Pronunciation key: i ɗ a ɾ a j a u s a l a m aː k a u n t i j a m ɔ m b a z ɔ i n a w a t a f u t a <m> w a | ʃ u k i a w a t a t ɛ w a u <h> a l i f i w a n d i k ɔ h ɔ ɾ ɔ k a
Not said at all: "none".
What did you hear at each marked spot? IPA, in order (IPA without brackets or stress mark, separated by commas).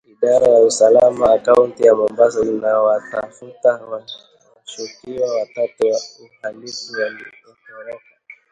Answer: none, h